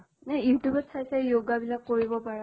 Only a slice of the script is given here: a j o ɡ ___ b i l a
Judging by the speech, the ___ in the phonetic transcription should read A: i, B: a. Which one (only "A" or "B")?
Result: B